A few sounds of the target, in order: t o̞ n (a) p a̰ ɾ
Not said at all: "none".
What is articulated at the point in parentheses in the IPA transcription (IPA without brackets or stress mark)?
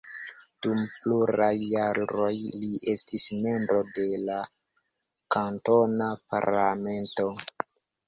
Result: a